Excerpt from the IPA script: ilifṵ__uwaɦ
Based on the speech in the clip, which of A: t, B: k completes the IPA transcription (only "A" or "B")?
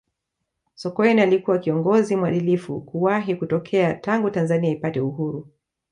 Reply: B